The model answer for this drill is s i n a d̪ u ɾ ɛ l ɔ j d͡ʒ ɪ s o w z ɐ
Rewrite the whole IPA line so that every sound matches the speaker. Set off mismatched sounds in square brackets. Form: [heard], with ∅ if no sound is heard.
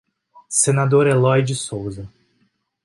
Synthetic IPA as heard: s [e] n a d̪ [o] ɾ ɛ l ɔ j d͡ʒ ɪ s o w z ɐ